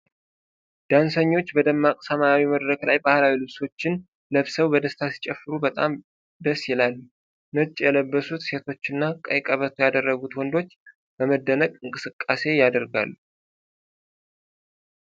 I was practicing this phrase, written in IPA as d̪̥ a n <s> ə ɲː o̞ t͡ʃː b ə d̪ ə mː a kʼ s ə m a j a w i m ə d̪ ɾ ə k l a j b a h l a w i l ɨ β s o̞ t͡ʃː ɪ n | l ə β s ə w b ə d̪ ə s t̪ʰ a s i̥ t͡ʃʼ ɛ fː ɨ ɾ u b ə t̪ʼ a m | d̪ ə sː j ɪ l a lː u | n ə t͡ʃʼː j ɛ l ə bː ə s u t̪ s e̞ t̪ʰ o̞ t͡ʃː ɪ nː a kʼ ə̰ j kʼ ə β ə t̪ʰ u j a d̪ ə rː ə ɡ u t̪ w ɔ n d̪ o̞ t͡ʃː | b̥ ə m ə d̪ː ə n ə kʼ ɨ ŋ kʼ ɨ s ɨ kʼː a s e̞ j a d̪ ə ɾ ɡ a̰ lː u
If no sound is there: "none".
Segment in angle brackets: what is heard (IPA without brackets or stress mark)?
s